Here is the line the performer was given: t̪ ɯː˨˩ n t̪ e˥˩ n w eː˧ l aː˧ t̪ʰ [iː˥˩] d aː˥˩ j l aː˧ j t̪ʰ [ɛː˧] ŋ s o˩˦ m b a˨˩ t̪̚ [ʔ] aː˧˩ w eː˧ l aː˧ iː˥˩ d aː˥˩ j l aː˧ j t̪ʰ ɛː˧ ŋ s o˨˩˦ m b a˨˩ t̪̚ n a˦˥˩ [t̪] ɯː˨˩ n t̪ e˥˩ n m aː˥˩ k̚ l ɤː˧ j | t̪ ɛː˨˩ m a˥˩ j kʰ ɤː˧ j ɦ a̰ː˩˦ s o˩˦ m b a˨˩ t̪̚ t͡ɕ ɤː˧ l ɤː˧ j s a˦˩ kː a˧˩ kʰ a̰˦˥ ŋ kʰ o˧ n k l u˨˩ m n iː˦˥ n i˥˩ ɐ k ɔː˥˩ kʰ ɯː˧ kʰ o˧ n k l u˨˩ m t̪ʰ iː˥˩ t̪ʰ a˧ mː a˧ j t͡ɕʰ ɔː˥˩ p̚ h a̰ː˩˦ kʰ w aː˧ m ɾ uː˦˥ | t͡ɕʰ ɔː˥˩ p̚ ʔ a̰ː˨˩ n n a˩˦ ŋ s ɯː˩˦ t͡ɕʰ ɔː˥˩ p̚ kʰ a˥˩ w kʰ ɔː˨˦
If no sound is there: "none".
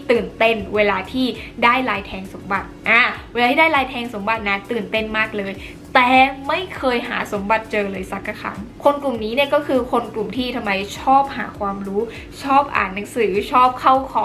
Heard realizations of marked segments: iː˥˩, ɛː˧, ʔ, t̪

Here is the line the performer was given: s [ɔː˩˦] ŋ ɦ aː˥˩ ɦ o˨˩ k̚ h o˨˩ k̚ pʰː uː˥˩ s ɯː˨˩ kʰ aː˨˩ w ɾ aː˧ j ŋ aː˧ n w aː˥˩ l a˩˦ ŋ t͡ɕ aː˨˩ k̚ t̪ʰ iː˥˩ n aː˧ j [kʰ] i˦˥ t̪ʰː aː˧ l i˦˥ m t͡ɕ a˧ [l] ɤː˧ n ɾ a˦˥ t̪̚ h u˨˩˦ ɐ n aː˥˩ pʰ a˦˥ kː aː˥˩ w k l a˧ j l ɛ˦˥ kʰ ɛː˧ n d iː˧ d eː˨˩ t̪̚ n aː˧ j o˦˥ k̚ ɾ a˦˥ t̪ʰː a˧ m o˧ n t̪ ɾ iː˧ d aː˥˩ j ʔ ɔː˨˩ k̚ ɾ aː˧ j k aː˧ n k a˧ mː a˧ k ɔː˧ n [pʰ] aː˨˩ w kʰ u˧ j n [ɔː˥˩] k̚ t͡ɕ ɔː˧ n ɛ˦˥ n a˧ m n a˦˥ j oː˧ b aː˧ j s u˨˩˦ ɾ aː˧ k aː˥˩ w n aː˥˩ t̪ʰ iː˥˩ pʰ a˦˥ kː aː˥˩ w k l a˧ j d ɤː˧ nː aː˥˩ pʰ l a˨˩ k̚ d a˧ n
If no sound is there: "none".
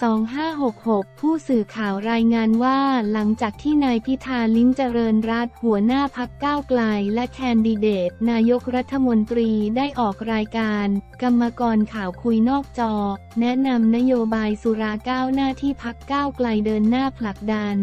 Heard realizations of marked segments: ɔː˩˦, pʰ, ɾ, kʰ, ɔː˥˩

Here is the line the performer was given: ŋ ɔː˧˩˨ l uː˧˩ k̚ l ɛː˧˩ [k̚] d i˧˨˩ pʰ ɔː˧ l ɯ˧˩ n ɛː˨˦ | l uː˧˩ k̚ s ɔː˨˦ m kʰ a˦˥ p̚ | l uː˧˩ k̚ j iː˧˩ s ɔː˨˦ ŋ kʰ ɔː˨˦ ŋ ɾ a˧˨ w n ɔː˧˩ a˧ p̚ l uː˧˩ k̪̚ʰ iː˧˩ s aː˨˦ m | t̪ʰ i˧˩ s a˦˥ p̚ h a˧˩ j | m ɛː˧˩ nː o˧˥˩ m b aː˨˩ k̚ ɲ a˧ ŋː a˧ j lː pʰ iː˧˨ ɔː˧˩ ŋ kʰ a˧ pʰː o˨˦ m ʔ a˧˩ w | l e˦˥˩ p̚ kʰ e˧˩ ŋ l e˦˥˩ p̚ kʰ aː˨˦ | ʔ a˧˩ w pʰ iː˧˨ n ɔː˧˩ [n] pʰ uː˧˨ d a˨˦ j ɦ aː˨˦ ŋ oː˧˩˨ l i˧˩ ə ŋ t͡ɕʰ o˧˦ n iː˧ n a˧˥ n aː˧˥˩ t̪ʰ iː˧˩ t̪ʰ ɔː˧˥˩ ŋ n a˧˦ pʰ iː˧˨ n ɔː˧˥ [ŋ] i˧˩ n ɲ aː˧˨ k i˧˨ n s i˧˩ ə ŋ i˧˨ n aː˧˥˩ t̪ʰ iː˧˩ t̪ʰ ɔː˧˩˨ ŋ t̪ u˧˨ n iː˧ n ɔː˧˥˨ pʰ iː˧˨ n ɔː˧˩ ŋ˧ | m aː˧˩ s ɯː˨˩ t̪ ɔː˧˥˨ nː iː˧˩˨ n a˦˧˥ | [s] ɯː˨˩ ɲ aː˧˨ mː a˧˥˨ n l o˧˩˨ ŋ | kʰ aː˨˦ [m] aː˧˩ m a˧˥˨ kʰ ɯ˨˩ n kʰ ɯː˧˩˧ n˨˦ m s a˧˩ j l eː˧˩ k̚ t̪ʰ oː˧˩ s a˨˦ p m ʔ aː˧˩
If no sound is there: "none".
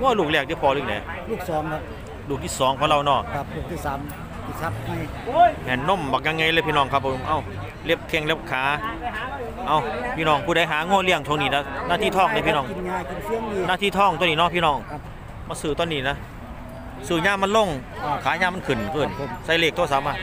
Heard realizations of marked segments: k̚, ŋ, ŋ, s, ɲ

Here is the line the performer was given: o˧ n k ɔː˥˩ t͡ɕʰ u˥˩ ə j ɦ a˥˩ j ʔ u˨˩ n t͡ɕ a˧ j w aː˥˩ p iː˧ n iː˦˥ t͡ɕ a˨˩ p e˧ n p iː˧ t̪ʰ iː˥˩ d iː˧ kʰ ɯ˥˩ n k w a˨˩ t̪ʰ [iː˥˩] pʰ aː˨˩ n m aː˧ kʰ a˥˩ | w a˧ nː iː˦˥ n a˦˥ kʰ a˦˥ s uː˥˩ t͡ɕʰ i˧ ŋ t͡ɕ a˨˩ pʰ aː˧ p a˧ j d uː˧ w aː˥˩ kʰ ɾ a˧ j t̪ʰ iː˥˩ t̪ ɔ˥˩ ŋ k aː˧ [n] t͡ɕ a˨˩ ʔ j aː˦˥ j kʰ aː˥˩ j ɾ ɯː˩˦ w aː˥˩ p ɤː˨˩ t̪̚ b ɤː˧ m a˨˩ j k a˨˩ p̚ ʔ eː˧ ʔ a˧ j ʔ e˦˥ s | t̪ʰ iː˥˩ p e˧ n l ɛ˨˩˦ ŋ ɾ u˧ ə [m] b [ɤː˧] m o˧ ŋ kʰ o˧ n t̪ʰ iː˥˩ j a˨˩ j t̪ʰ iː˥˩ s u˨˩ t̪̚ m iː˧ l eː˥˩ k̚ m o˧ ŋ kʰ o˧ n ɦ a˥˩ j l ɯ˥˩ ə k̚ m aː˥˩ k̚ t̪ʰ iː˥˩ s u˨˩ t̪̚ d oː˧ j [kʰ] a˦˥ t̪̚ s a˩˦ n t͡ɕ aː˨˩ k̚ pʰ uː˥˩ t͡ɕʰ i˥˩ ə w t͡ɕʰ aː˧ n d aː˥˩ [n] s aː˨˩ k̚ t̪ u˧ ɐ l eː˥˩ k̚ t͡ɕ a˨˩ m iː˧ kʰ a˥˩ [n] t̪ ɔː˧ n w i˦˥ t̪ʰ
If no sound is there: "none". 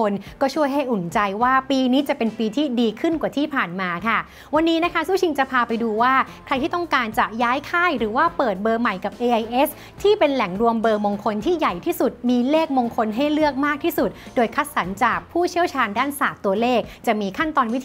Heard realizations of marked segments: iː˥˩, n, m, ɤː˧, kʰ, n, n

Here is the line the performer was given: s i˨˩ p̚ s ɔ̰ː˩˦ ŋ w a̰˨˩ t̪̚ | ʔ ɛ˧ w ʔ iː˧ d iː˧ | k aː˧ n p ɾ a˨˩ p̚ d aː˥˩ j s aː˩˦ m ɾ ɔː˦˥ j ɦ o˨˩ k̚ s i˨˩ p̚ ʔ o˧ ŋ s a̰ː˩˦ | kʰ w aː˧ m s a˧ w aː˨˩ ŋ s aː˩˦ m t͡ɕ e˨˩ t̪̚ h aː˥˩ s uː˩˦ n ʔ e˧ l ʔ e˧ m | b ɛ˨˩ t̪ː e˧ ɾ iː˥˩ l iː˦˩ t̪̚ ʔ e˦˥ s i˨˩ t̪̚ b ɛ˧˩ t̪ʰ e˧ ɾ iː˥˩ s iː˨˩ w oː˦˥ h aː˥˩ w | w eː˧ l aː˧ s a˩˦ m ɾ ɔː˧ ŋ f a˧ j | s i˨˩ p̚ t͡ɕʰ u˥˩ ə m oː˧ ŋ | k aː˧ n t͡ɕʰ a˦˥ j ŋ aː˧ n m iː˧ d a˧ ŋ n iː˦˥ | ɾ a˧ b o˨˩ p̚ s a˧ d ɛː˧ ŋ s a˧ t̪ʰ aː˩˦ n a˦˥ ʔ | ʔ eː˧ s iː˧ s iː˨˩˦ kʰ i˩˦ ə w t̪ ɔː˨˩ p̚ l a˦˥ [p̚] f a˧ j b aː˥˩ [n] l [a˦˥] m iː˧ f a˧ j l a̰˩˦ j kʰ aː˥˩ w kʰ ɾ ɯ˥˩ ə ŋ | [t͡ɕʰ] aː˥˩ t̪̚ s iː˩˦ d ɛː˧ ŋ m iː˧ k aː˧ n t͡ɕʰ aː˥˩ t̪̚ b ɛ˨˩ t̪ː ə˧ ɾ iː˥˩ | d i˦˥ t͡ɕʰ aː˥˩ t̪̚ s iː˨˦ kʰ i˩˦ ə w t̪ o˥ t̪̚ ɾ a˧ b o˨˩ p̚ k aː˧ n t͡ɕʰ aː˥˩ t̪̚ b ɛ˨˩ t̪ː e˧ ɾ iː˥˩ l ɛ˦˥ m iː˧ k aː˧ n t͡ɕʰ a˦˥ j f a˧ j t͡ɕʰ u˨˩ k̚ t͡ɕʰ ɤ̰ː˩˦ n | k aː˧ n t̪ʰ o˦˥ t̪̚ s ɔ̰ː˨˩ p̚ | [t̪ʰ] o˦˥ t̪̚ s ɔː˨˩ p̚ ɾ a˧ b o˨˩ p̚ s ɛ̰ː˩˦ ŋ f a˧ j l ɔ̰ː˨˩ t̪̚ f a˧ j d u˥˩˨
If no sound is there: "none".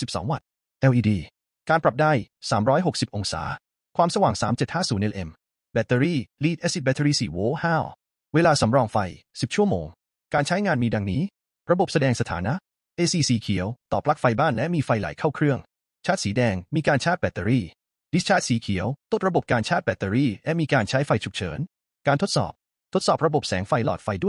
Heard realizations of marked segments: k̚, n, ɛ˦˥, t͡ɕʰ, t̪ʰ

